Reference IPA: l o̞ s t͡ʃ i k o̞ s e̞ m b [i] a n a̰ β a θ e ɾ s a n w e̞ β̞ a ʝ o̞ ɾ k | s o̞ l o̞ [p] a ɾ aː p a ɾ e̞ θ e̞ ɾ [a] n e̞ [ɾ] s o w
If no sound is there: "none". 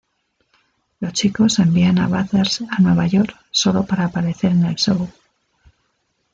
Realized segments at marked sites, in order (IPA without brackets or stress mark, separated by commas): i, p, e, l